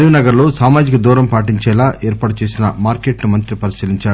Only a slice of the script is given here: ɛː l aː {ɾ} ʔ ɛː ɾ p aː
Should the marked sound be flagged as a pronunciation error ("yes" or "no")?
yes